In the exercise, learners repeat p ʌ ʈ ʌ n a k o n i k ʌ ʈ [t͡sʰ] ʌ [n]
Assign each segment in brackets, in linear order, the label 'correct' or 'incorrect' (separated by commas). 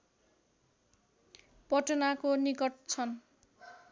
correct, correct